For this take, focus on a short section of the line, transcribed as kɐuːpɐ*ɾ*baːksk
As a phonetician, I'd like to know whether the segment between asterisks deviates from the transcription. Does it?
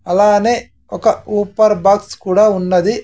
no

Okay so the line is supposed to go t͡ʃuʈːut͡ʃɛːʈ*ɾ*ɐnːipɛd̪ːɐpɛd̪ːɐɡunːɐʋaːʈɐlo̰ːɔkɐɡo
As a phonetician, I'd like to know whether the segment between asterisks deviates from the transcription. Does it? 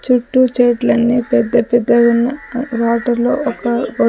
yes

